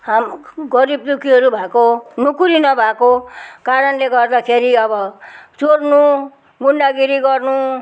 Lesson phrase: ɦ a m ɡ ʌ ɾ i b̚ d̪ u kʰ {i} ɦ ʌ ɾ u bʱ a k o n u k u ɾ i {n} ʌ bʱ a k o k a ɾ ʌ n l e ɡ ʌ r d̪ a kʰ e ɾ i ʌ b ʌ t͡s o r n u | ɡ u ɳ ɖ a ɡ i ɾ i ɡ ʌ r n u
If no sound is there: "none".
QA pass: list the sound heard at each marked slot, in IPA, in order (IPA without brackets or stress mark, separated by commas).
i, n